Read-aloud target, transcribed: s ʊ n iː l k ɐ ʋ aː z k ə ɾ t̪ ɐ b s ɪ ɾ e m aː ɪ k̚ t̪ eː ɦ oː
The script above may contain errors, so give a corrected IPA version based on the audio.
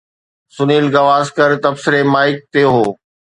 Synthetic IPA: s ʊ n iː l ɡ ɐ ʋ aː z k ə ɾ t̪ ɐ b s ɪ ɾ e m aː ɪ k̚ t̪ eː ɦ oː